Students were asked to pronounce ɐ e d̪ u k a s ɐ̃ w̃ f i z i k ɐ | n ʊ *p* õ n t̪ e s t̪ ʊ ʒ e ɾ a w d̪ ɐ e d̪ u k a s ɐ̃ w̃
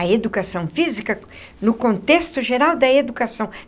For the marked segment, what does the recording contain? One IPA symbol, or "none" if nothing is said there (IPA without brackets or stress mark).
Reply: k